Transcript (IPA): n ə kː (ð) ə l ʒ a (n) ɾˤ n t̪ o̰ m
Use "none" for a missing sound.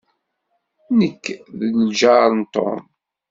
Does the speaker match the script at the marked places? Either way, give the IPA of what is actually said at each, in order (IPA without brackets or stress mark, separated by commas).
ð, none